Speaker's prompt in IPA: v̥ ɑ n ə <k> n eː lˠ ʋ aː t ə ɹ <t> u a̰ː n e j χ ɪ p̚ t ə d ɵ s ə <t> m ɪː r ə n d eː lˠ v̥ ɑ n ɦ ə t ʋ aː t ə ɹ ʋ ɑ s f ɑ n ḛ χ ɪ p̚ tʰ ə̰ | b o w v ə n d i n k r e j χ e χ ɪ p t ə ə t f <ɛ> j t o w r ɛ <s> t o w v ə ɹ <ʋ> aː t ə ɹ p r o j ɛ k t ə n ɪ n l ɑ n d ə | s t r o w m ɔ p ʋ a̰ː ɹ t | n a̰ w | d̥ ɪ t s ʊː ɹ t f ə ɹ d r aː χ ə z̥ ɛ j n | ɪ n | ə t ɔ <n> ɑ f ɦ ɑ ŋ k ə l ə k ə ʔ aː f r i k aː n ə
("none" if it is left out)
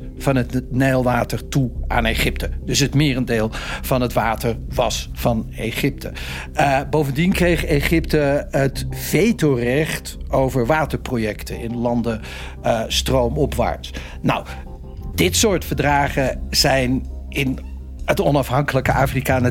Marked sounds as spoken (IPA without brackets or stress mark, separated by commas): t, t, t, e, χ, ʋ, n